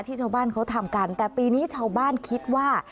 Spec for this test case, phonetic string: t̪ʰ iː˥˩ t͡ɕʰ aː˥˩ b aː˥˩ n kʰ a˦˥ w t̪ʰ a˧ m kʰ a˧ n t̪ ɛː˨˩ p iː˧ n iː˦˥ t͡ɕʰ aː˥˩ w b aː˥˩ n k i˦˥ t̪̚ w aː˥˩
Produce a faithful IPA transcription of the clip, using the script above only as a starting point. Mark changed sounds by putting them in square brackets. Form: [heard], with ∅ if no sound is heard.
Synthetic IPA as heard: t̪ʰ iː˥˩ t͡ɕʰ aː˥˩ b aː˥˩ n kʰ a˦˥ w t̪ʰ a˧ m [k] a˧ n t̪ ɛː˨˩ p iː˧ n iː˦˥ t͡ɕʰ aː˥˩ w b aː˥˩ n [kʰ] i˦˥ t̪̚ w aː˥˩